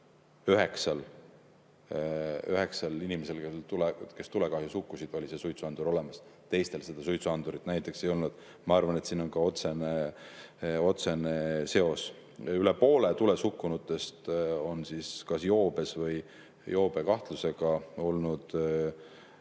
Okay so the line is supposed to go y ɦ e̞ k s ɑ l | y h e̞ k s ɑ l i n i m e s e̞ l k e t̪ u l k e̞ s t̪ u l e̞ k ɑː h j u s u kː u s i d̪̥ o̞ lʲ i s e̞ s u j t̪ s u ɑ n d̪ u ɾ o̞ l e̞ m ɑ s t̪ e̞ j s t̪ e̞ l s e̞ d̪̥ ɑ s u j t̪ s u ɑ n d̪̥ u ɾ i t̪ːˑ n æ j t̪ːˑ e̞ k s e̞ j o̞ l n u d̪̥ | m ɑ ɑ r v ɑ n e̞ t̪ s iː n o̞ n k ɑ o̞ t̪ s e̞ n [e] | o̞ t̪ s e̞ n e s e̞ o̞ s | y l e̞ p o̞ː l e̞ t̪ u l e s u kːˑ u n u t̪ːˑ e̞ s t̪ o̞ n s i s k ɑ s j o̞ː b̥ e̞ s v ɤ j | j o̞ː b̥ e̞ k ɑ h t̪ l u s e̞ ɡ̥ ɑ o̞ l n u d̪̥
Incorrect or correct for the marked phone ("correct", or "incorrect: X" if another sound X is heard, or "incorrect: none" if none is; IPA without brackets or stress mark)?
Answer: correct